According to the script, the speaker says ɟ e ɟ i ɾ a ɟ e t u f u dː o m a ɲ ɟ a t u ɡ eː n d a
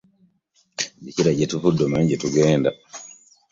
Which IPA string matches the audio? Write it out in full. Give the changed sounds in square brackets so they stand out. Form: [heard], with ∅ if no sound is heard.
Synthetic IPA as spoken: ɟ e [c] i ɾ a ɟ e t u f u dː o m a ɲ ɟ [e] t u ɡ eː n d a